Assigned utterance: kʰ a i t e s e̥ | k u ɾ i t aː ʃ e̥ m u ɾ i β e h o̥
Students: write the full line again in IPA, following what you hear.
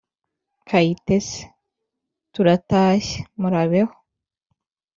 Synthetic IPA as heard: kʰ a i t e s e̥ | t u ɾ a t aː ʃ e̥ m u ɾ a β e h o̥